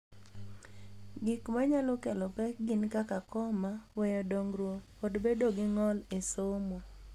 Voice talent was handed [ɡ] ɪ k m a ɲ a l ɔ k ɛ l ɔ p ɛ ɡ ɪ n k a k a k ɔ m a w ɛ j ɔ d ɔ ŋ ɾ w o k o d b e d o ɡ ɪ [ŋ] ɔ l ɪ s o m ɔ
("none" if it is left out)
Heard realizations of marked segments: ɡ, ŋ

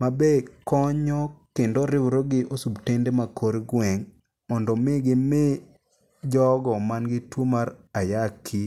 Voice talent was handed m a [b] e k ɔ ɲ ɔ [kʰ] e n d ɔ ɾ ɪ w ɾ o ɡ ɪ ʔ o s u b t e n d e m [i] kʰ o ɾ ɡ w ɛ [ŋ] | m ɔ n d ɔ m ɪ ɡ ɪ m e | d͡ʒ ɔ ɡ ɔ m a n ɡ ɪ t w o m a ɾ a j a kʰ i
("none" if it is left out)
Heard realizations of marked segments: b, k, a, ŋ

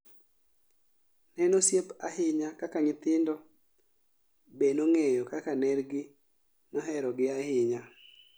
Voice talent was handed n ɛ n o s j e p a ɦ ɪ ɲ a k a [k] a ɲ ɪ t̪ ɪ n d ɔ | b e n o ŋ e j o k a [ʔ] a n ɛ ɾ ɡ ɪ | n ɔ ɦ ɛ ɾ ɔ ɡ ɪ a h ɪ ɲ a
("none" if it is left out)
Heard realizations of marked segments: k, k

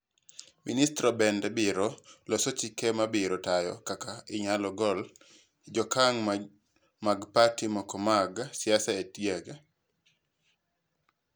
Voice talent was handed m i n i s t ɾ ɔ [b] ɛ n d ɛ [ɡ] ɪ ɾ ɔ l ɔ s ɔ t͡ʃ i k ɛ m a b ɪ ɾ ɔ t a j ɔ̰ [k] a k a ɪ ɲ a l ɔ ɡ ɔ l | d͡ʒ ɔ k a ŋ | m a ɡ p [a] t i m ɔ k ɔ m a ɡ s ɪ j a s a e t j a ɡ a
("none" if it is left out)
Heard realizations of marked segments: b, b, k, a

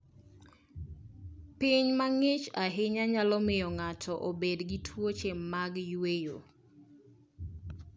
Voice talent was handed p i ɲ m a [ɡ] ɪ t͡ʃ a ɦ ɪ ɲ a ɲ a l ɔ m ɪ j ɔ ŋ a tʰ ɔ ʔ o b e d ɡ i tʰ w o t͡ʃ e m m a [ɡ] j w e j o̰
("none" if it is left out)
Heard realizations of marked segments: ŋ, ɡ

